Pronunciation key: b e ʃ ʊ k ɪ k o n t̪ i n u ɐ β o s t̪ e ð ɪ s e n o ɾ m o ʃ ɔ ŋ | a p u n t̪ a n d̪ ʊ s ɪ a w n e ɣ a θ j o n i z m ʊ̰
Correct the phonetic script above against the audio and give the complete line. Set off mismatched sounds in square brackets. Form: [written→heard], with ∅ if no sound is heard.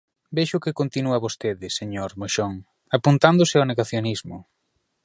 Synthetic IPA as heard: b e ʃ ʊ k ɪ k o n t̪ i n u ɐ β o s t̪ e ð ɪ s e [n→ɲ] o ɾ m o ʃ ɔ ŋ | a p u n t̪ a n d̪ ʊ s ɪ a w n e ɣ a θ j o n i z m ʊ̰